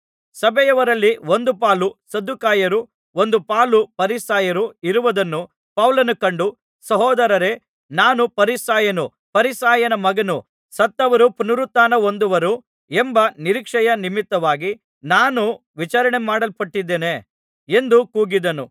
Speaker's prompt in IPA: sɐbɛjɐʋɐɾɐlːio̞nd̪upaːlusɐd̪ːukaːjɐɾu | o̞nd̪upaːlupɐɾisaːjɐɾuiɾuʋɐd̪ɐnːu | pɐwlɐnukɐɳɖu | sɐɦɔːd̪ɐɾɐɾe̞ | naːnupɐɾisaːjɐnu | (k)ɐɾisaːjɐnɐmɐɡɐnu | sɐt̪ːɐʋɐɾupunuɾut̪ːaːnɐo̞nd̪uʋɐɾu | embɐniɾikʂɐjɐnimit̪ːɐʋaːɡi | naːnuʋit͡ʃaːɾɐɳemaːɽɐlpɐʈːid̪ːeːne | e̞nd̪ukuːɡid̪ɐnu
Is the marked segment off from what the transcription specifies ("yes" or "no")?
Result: yes